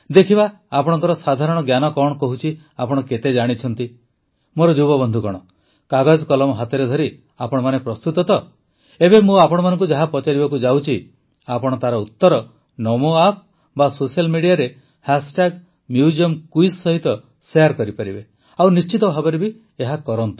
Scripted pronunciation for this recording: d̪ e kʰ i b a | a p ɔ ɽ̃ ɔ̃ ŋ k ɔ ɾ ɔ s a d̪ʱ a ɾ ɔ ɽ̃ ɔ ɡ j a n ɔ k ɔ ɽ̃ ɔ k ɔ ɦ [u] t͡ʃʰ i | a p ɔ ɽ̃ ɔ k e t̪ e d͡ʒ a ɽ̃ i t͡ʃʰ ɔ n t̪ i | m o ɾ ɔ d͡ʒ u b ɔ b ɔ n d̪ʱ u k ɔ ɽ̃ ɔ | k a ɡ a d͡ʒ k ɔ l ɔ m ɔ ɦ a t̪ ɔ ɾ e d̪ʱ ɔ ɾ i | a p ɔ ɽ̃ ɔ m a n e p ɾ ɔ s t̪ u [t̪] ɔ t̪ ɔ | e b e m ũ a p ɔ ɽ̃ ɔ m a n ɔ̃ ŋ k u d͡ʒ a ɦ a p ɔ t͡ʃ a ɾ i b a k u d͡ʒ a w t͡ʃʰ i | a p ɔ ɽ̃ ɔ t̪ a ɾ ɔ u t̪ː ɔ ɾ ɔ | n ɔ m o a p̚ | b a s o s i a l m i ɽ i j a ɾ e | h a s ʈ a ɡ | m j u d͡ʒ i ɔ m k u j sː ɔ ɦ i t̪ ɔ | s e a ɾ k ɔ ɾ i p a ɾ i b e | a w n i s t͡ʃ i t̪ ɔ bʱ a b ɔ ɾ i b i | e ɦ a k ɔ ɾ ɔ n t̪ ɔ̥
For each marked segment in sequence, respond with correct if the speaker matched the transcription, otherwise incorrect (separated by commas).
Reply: correct, correct